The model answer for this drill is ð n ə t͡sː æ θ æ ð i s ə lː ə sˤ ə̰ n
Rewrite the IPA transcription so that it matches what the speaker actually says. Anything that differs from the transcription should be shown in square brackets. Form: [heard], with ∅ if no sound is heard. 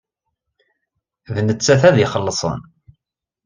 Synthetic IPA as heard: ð n ə t͡sː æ θ æ ð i [χ] ə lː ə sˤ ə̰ n